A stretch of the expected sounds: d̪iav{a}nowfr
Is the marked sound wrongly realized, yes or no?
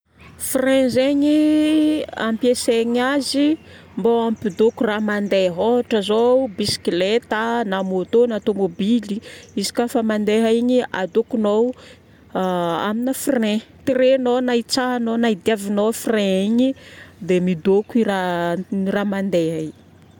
yes